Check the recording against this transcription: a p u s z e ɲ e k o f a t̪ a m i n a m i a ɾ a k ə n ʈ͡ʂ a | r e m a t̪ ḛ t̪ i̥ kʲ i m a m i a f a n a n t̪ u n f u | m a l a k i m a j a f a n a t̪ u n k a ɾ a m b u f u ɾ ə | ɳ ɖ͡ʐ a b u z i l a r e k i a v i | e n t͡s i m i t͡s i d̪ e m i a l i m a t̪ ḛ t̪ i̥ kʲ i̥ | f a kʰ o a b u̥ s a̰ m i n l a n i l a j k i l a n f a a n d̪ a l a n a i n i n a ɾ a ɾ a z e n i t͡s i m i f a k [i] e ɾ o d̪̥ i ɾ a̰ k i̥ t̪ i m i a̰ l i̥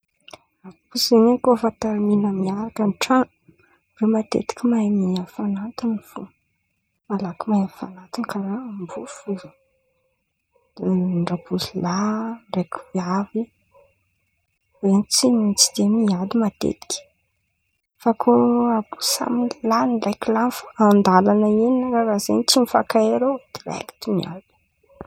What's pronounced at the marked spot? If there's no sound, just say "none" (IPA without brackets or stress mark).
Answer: a